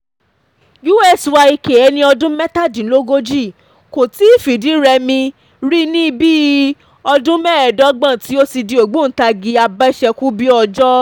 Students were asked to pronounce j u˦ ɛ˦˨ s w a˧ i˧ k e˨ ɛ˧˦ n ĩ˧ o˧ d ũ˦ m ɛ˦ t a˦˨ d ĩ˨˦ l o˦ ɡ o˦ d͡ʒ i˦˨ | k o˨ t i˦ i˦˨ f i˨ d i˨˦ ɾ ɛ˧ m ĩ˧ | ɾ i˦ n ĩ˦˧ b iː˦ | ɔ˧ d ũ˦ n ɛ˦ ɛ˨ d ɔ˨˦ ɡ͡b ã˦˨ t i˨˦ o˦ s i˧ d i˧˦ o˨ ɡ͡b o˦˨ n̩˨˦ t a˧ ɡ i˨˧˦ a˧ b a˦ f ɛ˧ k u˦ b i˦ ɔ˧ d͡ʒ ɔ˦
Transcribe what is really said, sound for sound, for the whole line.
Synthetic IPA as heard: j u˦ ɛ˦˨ s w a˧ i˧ k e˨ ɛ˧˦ n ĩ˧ ɔ˧ d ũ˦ m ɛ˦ t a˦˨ d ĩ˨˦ l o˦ ɡ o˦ d͡ʒ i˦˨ | k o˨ t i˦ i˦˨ f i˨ d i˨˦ ɾ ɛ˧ m ĩ˧ | ɾ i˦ n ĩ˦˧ b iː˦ | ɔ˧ d ũ˦ m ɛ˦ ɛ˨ d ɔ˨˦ ɡ͡b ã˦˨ t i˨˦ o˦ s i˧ d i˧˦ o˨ ɡ͡b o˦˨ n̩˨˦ t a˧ ɡ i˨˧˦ a˧ b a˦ ʃ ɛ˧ k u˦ b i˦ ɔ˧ d͡ʒ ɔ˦